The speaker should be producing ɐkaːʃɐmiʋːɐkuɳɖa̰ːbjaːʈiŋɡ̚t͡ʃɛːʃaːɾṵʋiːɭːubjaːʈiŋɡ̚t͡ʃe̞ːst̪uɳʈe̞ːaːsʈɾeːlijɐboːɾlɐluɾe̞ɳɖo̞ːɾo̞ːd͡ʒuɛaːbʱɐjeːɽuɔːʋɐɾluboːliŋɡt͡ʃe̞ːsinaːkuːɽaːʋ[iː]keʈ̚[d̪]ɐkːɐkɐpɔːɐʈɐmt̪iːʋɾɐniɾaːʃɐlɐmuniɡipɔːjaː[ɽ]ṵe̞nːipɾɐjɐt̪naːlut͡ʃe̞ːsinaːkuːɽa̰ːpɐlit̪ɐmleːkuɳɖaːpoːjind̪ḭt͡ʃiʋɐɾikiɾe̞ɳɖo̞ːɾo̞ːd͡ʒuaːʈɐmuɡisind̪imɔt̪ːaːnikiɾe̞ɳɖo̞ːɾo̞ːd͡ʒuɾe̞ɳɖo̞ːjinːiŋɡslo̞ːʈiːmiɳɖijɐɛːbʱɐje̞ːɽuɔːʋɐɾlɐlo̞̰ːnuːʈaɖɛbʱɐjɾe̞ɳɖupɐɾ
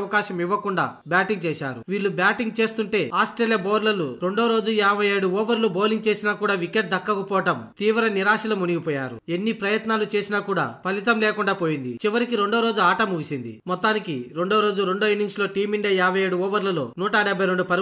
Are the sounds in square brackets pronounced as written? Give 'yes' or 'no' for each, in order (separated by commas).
no, yes, no